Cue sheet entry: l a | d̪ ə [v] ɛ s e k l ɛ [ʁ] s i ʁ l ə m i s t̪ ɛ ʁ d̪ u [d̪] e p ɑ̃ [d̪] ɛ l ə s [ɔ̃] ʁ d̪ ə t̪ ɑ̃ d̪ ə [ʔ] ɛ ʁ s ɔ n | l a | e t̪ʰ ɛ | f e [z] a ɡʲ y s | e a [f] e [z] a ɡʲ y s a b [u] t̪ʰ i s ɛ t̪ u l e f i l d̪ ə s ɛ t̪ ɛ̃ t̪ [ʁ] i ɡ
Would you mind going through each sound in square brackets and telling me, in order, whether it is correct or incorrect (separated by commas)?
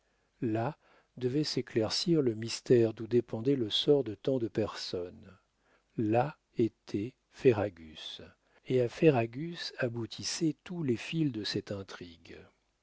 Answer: correct, correct, correct, correct, incorrect, incorrect, incorrect, correct, incorrect, correct, incorrect